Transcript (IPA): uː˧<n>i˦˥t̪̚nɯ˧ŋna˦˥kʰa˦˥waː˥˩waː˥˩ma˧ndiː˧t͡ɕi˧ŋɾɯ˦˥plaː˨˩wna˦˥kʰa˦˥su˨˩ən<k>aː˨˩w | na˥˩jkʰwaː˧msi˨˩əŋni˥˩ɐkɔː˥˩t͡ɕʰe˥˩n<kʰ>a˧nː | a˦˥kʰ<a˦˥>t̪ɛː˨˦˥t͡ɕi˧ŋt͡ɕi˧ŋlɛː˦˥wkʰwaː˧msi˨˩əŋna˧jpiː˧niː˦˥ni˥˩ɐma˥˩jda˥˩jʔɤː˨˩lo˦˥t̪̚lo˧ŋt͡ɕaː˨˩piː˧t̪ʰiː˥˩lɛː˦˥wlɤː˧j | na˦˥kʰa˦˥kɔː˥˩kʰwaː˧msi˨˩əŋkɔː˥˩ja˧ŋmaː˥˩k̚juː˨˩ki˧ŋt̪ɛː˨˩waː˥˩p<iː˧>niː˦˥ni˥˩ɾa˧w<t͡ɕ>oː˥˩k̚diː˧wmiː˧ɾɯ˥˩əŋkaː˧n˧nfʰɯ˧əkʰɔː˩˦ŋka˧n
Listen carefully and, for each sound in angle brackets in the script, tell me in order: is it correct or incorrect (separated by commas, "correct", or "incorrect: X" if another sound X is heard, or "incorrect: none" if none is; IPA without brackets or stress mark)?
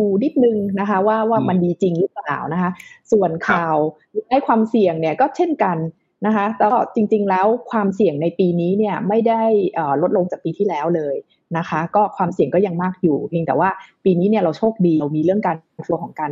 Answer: correct, incorrect: kʰ, incorrect: k, correct, correct, incorrect: t͡ɕʰ